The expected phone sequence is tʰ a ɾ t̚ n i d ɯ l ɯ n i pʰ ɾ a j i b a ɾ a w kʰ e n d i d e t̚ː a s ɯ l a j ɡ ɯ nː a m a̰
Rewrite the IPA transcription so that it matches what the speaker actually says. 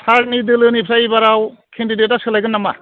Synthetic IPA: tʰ a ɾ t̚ n i d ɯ l ɯ n i pʰ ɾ a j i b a ɾ a w kʰ e n d i d e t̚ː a s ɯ l a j ɡ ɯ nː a m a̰